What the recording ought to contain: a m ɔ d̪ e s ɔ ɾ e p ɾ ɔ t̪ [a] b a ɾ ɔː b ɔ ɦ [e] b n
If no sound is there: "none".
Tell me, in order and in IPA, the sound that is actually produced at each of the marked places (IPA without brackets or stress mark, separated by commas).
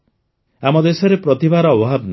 i, a